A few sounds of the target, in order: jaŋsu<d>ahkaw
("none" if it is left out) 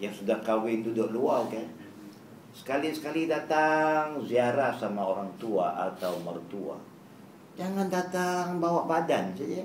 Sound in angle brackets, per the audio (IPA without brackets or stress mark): d